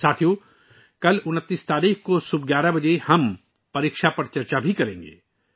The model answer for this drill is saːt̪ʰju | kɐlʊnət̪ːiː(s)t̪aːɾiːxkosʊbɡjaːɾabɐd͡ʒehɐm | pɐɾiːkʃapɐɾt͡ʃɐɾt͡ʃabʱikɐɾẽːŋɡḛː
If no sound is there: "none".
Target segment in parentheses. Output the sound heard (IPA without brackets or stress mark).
s